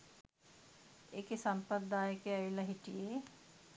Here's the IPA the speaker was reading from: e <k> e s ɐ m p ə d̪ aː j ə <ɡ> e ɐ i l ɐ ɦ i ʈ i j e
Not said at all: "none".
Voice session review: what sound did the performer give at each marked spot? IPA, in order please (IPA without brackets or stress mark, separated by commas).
k, k